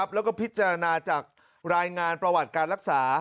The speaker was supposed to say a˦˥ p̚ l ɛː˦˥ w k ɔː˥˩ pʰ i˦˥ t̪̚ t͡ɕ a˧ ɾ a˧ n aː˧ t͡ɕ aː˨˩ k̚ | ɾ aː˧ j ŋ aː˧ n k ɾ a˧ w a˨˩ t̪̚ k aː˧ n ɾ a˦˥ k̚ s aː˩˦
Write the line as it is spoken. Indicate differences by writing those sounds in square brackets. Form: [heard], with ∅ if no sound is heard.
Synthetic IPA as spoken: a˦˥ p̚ l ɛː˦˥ w k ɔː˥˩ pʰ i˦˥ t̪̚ t͡ɕ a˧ ɾ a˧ n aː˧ t͡ɕ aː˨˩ k̚ | ɾ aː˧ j ŋ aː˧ n [p] ɾ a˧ w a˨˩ t̪̚ k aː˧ n ɾ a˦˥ k̚ s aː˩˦